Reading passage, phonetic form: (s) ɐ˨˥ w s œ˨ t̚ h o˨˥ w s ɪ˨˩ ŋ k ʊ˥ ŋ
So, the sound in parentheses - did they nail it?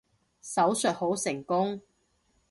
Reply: yes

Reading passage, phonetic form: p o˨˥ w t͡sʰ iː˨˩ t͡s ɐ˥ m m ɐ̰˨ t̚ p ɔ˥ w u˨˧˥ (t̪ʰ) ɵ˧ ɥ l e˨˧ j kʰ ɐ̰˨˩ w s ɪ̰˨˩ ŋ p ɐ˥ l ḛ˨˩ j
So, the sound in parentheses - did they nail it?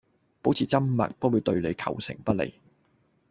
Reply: no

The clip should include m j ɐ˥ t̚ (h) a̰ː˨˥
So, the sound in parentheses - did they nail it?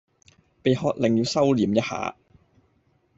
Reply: yes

